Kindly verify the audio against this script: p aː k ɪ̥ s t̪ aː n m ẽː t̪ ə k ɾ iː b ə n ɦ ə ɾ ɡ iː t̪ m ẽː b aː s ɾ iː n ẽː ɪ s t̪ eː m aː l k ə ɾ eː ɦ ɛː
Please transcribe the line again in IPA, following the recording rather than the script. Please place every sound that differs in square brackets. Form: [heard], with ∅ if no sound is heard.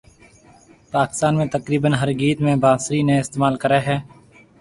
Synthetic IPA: p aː k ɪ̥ s t̪ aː n m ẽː t̪ ə k ɾ iː b ə n ɦ ə ɾ ɡ iː t̪ m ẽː b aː s ɾ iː n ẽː ɪ s t̪ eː m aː l k ə ɾ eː ɦ ɛː